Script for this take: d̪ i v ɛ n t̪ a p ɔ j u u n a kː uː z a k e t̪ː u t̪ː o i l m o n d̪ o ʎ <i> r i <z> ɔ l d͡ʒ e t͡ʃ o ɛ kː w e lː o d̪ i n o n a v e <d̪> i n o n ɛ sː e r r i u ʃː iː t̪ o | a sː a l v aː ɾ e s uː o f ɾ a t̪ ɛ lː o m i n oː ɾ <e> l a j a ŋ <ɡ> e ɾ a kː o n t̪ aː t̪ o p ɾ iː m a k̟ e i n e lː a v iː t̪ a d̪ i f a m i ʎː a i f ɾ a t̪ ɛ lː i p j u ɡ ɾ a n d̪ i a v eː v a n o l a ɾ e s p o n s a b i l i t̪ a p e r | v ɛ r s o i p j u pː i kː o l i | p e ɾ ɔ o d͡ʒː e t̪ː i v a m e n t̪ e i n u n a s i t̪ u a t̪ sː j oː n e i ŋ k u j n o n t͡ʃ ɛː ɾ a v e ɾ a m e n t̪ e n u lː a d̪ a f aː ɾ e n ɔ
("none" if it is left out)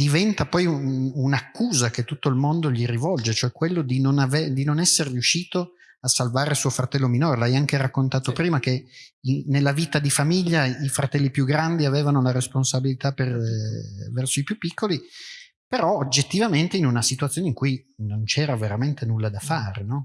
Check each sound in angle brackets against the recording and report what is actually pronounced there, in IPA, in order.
i, v, d̪, e, k

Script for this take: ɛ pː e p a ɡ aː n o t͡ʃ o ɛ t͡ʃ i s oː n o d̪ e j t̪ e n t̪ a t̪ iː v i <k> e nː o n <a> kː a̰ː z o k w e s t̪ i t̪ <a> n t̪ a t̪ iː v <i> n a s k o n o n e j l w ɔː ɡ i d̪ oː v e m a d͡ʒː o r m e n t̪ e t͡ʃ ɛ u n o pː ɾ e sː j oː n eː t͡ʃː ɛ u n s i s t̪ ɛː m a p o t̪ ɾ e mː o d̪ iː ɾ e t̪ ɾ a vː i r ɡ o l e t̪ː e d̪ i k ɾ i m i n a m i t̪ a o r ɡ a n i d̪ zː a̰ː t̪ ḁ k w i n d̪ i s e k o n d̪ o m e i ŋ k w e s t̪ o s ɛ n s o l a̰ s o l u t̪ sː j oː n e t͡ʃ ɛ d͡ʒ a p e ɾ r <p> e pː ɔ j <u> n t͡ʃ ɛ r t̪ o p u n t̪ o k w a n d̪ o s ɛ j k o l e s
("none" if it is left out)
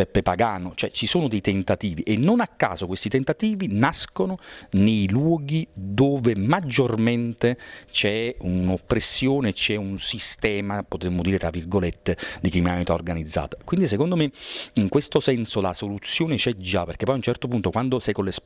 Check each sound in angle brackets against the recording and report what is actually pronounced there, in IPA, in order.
ʔ, a, e, i, k, u

